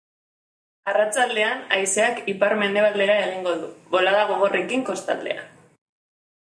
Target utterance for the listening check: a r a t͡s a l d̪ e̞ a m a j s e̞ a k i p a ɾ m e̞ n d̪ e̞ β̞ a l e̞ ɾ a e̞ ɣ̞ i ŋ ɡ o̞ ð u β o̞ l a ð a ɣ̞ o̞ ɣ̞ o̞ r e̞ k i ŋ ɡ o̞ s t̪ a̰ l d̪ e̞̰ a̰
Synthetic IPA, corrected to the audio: a r a t͡s a l d̪ e̞ a n a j s e̞ a k i p a ɾ m e̞ n d̪ e̞ β̞ a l e̞ ɾ a e̞ ɣ̞ i ŋ ɡ o̞ ð u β o̞ l a ð a ɣ̞ o̞ ɣ̞ o̞ r e̞ k i ŋ k o̞ s t̪ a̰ l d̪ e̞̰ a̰